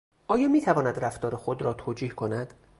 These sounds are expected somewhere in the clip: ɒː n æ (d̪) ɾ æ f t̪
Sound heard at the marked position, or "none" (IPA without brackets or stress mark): d̪